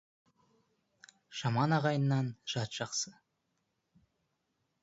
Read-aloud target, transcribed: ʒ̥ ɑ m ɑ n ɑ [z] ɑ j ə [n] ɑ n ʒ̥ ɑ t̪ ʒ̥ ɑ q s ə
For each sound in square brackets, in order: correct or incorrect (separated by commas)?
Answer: incorrect, incorrect